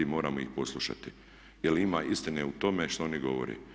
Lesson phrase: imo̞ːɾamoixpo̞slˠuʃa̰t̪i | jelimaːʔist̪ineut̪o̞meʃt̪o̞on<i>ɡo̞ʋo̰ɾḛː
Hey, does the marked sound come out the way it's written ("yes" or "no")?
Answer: yes